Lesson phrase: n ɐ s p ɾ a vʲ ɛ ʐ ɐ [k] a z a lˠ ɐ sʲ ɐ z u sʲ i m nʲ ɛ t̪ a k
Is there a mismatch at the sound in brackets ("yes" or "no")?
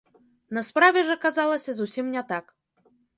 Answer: no